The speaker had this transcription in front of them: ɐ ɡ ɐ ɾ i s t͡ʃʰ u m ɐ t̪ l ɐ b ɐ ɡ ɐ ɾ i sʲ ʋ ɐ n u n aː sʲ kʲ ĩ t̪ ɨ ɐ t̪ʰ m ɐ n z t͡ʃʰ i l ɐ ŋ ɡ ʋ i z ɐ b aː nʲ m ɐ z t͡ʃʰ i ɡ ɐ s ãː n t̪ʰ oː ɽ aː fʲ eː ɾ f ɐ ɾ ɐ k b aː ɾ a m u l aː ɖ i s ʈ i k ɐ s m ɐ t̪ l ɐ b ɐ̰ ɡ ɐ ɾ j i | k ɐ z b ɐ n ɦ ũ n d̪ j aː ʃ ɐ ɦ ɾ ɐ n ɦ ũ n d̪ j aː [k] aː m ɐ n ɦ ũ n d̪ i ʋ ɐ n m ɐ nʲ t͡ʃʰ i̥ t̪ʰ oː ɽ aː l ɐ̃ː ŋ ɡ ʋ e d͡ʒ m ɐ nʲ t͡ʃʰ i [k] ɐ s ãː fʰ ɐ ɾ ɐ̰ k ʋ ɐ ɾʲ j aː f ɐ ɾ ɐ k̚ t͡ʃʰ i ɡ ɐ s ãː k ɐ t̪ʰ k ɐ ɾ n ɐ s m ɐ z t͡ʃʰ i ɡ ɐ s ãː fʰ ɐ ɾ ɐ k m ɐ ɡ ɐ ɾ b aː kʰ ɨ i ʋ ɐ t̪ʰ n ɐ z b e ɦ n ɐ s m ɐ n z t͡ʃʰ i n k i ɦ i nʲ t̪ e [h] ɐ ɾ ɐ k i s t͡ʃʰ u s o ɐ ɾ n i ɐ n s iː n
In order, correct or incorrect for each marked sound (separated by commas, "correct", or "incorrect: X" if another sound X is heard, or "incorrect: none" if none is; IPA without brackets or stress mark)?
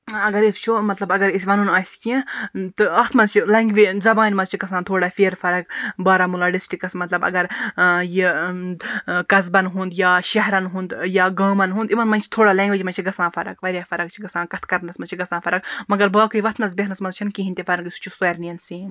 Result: incorrect: ɡ, incorrect: ɡ, incorrect: f